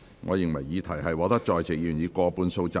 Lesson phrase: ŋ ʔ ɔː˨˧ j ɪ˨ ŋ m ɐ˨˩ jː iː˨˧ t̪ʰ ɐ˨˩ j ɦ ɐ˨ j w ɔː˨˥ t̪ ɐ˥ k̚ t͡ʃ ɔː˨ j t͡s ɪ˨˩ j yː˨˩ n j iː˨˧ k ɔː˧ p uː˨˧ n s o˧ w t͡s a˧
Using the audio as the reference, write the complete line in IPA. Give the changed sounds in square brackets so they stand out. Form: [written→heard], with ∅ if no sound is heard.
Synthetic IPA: ŋ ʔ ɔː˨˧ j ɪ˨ ŋ m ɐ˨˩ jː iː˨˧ t̪ʰ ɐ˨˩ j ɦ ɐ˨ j w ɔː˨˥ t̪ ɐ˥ k̚ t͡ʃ ɔː˨ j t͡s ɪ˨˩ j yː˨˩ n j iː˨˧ k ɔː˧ p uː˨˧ n s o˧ w t͡s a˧

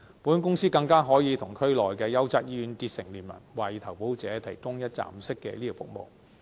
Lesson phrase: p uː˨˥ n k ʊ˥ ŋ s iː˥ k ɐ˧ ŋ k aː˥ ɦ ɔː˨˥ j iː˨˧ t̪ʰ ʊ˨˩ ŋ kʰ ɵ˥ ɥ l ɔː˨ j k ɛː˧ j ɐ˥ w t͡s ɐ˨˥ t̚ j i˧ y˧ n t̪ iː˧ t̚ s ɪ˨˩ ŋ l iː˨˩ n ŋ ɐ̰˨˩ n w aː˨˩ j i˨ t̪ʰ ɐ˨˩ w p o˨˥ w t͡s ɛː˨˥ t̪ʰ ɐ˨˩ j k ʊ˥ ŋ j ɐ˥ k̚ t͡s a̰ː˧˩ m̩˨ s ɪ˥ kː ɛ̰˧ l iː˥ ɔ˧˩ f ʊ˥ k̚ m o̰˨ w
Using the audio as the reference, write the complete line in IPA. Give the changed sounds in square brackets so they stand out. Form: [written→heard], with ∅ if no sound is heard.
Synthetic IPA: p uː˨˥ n k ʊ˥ ŋ s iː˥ k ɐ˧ ŋ k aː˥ ɦ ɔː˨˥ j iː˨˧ t̪ʰ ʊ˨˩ ŋ kʰ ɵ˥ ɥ l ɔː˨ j k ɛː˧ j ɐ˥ w t͡s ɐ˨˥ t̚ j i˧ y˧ n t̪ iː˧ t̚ s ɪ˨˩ ŋ l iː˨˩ n [ŋ→m] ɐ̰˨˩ n w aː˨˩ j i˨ t̪ʰ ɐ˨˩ w p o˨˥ w t͡s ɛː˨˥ t̪ʰ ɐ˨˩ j k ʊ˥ ŋ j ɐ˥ [k̚→t̚] t͡s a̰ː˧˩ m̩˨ s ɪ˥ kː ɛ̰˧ l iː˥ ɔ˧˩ f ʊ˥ k̚ m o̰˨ w

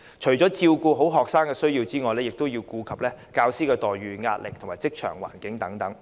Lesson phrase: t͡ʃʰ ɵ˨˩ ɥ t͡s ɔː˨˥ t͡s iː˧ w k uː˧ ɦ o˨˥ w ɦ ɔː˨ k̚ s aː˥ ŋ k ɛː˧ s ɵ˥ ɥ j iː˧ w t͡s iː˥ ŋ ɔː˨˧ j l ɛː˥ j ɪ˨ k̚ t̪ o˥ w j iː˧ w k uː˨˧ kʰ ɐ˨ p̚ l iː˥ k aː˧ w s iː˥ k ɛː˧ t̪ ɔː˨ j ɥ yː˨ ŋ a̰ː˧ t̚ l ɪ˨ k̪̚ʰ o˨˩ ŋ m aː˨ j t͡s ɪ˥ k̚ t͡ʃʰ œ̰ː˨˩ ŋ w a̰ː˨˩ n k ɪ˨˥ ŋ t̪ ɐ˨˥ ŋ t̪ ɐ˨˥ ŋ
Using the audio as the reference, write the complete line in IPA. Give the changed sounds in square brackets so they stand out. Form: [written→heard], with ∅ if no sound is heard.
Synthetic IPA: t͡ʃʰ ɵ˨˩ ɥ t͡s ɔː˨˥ t͡s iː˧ w k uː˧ ɦ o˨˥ w ɦ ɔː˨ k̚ s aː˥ ŋ k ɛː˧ s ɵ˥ ɥ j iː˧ w t͡s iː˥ ŋ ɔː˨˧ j l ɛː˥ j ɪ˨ k̚ t̪ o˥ w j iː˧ w k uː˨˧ kʰ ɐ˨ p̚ l [iː˥→ɛː˥] k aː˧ w s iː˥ k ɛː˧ t̪ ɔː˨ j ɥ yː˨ ŋ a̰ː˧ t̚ l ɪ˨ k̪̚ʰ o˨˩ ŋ m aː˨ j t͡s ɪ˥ k̚ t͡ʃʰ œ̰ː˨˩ ŋ w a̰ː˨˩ n k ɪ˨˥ ŋ t̪ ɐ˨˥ ŋ t̪ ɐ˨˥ ŋ

